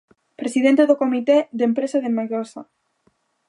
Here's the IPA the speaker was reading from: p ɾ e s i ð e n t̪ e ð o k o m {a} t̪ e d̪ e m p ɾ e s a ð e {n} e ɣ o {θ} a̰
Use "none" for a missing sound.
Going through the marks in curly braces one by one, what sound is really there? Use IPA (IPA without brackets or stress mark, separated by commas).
i, m, s